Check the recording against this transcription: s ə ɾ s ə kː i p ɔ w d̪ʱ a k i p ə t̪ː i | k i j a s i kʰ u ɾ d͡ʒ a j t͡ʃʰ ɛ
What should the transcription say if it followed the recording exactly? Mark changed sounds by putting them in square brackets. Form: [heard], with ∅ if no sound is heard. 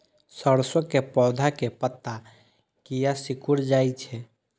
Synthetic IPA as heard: s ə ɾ s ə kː [e] p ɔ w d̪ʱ a k [e] p ə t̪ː [a] | k i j a s i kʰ u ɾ d͡ʒ a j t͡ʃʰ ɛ